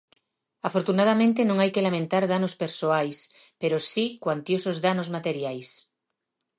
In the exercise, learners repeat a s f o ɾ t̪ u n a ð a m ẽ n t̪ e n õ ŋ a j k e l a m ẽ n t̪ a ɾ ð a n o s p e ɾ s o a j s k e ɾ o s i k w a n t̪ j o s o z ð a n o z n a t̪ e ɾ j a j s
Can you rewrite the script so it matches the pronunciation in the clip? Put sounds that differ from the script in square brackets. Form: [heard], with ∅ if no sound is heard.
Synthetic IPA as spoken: a [∅] f o ɾ t̪ u n a ð a m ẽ n t̪ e n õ ŋ a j k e l a m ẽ n t̪ a ɾ ð a n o s p e ɾ s o a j s [p] e ɾ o s i k w a n t̪ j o s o z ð a n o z [m] a t̪ e ɾ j a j s